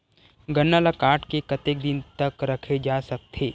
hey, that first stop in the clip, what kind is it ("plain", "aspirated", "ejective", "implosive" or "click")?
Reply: plain